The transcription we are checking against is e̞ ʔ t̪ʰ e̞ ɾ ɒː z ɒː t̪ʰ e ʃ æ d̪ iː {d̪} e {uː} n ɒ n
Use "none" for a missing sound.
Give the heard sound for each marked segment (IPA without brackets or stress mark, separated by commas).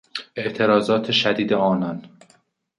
d̪, ɒː